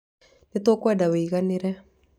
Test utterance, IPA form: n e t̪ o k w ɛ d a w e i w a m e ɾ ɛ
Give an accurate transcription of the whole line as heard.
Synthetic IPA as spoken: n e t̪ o k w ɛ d a w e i ɣ a n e ɾ ɛ